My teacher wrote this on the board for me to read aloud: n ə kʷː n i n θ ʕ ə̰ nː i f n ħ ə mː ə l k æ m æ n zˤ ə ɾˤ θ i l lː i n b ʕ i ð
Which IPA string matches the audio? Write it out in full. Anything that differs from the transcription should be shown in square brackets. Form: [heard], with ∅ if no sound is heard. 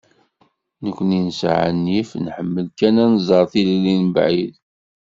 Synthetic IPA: n ə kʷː n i n [s] ʕ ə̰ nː i f n ħ ə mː ə l k æ [n] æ n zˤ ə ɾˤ θ i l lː i n b ʕ i ð

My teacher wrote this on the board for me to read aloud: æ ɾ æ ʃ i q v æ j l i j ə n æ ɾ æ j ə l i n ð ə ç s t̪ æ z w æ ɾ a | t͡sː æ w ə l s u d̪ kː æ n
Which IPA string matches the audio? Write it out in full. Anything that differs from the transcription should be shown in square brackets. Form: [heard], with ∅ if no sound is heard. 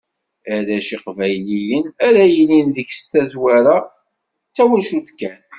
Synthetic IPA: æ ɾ æ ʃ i q v æ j l i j ə n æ ɾ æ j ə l i n ð ə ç s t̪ æ z w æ ɾ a | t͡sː æ w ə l [ʃ] u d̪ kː æ n

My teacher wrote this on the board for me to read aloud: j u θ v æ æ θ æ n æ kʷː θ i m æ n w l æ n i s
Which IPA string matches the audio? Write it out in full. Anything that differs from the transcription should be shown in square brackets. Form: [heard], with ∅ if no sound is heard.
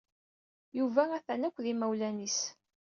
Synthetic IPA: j u [∅] v æ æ θ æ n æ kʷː [ð] i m æ [∅] w l æ n i s

